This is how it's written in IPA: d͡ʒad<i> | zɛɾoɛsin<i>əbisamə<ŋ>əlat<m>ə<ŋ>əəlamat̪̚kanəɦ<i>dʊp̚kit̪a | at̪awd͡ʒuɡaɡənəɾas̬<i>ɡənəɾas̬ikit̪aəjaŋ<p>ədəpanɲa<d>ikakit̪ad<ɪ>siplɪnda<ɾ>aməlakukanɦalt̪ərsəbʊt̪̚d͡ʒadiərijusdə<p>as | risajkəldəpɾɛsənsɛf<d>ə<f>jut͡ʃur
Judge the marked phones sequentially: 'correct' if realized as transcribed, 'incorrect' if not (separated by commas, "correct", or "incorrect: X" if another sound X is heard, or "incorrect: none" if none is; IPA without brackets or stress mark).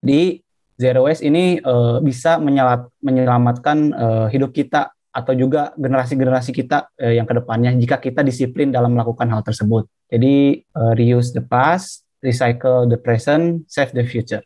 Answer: correct, correct, incorrect: ɲ, correct, incorrect: ɲ, correct, correct, incorrect: k, incorrect: d͡ʒ, incorrect: i, incorrect: l, correct, correct, correct